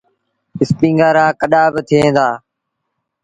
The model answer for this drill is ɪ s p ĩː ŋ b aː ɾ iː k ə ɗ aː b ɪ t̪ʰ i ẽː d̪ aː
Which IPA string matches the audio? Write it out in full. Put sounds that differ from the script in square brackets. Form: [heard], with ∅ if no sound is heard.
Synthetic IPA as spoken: ɪ s p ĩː ŋ [ɡ] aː ɾ [aː] k ə ɗ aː b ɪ t̪ʰ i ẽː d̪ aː